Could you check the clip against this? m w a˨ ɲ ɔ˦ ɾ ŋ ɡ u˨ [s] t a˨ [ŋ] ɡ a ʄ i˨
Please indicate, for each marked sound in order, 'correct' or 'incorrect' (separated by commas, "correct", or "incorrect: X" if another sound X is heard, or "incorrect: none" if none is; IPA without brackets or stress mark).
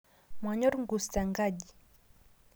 correct, correct